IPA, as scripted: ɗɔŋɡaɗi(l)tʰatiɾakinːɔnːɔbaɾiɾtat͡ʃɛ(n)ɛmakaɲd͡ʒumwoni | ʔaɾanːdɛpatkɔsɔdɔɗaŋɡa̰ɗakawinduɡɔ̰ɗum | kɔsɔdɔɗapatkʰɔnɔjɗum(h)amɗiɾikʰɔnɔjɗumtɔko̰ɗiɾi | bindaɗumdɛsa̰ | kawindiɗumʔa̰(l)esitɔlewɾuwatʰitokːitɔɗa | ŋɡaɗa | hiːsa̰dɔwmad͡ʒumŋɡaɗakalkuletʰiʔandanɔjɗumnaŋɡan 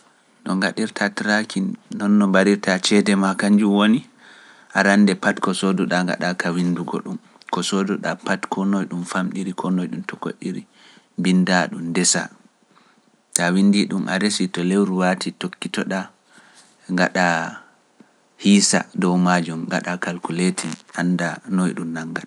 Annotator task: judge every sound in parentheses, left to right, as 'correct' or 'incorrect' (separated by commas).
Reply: incorrect, incorrect, incorrect, incorrect